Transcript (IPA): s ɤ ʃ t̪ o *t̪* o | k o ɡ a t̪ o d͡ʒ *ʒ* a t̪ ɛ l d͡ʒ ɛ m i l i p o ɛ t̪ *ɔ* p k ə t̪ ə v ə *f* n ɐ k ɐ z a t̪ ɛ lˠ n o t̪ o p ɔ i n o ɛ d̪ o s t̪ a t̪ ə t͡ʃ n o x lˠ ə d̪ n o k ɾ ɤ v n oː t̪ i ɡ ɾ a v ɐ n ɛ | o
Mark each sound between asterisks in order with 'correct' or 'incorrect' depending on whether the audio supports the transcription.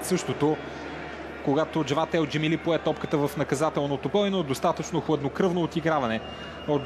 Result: correct, incorrect: v, correct, correct

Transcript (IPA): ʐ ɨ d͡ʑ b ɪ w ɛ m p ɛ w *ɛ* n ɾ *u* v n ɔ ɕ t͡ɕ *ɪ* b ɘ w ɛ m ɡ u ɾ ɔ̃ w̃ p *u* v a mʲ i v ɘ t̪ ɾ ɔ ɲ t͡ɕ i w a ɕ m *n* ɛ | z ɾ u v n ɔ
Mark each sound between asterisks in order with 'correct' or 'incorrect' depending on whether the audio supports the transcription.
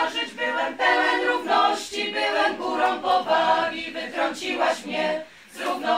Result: correct, correct, incorrect: i, incorrect: ɔ, incorrect: ɲ

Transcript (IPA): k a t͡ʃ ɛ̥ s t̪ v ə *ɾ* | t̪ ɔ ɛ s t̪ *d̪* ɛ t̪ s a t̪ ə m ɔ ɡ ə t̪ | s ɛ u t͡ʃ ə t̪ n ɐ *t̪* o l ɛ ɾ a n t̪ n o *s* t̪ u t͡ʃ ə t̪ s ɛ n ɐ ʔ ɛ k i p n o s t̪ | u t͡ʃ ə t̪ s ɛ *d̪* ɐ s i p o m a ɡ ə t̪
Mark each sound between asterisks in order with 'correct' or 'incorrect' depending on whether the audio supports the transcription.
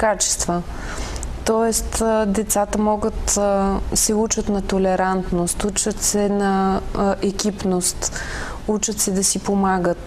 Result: incorrect: none, correct, correct, correct, correct

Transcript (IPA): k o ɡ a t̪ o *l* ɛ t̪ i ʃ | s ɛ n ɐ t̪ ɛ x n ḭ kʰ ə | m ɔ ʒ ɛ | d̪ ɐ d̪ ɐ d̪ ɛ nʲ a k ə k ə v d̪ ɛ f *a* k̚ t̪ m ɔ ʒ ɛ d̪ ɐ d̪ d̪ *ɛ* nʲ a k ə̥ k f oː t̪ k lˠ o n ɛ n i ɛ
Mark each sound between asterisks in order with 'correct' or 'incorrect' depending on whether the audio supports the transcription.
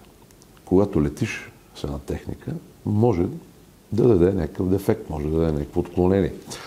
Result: correct, incorrect: ɛ, correct

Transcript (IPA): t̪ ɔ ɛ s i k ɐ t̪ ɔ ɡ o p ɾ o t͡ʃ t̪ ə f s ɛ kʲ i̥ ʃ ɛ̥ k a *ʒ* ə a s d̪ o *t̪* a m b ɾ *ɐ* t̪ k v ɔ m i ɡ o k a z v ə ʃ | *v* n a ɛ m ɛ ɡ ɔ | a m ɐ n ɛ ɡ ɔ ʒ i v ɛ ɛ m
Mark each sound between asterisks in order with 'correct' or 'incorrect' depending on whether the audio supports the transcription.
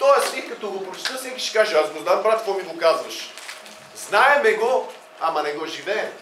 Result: correct, incorrect: d̪, incorrect: a, incorrect: z

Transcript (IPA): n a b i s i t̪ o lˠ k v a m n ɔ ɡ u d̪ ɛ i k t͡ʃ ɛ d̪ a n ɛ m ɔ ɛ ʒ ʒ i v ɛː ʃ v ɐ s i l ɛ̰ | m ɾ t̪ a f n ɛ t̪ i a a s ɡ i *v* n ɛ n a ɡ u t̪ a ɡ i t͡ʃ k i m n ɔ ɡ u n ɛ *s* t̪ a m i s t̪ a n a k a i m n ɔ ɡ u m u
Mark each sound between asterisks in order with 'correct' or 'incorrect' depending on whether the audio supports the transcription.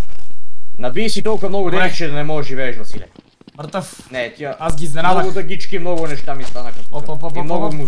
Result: incorrect: z, incorrect: ʃ

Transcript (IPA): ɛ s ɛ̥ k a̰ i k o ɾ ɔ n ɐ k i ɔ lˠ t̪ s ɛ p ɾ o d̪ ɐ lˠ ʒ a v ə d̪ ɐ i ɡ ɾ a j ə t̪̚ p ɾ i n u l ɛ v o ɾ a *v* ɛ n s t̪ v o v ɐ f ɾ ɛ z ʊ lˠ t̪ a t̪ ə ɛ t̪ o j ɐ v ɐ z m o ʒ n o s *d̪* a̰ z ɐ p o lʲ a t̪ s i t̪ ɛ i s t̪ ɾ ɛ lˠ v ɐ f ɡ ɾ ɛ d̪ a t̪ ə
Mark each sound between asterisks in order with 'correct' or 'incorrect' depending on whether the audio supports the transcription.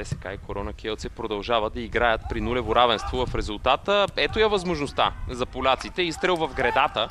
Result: correct, incorrect: t̪

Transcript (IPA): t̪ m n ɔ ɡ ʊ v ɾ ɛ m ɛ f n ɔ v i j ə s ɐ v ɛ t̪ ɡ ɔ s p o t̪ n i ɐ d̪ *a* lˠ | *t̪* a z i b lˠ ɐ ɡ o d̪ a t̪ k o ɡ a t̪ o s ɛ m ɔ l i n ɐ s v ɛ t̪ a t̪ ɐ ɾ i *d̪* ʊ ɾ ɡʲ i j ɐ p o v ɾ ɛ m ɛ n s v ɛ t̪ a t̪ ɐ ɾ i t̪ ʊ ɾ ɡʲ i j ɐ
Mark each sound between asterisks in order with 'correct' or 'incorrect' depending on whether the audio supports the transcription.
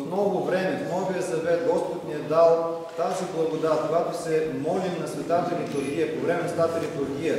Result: correct, correct, incorrect: t̪

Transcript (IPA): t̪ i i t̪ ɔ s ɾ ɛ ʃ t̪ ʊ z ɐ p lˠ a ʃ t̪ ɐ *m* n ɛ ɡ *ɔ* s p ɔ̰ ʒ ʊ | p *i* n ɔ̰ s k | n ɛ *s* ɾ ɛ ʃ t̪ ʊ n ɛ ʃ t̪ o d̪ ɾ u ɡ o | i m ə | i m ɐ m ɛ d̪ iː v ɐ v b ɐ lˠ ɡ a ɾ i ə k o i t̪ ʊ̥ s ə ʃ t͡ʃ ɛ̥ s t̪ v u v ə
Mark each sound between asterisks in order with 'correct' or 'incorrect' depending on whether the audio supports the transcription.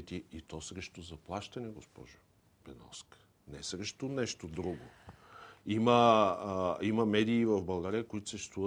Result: incorrect: none, incorrect: o, incorrect: ɛ, correct

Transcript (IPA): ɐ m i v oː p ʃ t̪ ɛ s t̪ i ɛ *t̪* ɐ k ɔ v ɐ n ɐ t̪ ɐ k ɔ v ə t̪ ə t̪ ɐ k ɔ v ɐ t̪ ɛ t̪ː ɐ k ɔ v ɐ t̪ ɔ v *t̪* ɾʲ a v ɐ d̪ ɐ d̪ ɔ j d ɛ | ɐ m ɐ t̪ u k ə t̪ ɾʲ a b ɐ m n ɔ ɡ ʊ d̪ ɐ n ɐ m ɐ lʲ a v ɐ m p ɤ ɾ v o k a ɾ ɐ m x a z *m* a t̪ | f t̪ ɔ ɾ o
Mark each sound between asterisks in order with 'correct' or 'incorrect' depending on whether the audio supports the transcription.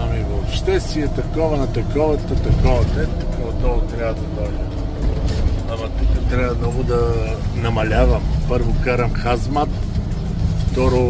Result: correct, correct, correct

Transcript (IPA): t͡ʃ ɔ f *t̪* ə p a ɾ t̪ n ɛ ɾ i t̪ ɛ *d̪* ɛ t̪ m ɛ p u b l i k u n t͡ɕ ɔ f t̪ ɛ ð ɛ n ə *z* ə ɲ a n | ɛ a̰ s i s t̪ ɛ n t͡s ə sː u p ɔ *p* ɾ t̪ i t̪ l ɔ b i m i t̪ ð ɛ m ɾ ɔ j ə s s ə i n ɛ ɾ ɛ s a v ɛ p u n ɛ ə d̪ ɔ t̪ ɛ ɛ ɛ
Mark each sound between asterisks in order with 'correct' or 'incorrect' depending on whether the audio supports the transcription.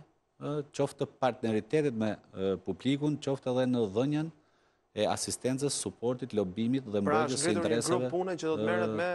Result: correct, incorrect: t̪, incorrect: ð, incorrect: none

